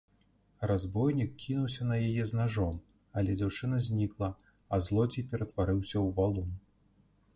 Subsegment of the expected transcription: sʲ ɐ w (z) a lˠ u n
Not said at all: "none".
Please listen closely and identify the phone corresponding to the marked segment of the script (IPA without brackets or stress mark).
v